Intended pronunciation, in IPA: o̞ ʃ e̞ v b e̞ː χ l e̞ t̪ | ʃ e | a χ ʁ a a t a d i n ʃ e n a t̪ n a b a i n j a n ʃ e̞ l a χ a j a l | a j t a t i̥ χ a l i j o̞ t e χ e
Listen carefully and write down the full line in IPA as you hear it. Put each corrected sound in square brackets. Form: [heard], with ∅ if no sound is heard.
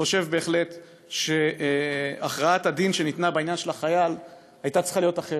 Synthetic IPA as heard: o̞ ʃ e̞ v b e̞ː χ l e̞ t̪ | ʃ e | a χ ʁ a a t a d i n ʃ e n [i] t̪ n a b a i n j a n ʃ e̞ l a χ a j a l | a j t a [t͡s] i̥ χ a l i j o̞ t [a] χ e